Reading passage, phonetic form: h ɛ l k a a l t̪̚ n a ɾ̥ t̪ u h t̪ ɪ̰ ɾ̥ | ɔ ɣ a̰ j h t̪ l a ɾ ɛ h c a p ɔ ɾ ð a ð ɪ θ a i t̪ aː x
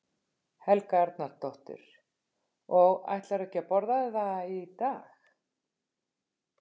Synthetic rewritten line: h ɛ l k a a ɾ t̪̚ n a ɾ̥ t̪ ɔ h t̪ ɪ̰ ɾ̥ | ɔ ɣ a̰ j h t̪ l a ɾ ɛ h c a p ɔ ɾ ð a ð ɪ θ a i t̪ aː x